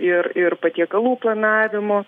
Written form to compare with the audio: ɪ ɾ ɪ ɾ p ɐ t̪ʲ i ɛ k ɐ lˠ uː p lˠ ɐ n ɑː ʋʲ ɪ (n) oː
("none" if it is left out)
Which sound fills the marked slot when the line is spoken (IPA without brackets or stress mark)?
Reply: m